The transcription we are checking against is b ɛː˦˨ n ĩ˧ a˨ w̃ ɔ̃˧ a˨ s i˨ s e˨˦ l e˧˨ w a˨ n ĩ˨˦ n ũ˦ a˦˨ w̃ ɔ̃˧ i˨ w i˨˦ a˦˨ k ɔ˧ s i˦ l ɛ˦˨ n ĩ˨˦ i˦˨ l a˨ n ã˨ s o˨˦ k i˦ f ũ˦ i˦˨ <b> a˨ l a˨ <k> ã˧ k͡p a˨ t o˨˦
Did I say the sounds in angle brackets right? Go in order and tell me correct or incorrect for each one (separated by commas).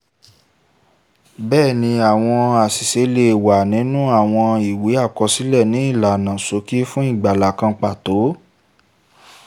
incorrect, correct